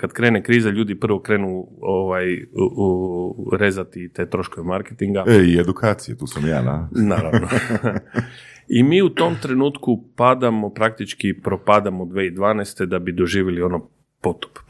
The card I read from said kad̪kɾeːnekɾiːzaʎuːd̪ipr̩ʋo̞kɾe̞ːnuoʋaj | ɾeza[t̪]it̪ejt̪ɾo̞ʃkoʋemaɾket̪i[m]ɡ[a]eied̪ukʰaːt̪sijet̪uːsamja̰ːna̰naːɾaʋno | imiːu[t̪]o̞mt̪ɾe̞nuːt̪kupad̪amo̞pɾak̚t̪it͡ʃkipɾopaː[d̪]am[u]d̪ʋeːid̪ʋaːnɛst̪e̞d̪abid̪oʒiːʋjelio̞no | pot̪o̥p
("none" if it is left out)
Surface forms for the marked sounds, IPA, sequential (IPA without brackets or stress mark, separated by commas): t̪, ŋ, a, t̪, d̪, o